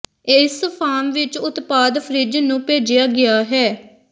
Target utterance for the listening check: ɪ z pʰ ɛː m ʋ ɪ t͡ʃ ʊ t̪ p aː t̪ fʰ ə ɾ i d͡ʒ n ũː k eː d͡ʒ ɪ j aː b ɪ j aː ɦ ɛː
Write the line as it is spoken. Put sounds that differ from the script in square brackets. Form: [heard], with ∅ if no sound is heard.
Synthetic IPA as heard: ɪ [s] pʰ [aː] m ʋ ɪ t͡ʃ ʊ t̪ p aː [d̪] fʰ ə ɾ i d͡ʒ n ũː [p] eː d͡ʒ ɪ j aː [ɡ] ɪ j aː ɦ ɛː